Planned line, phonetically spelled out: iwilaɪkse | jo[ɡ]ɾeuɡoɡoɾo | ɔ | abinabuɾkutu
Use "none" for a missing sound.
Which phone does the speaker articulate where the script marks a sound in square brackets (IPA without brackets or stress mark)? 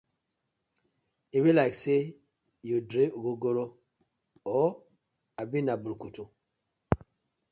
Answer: d